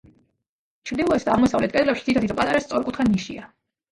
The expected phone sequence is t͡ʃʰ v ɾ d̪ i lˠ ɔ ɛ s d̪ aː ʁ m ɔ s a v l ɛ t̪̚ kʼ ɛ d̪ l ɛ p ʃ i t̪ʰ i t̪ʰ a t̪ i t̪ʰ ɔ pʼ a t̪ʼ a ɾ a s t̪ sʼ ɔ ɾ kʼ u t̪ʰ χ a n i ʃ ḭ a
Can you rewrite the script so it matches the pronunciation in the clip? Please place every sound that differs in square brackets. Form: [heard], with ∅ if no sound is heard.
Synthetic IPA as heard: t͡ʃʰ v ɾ d̪ i lˠ ɔ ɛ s d̪ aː ʁ m ɔ s a v l ɛ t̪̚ kʼ ɛ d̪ l ɛ p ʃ i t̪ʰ i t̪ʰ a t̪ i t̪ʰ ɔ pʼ a t̪ʼ a ɾ a s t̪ sʼ ɔ ɾ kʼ u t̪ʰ χ a n i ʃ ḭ a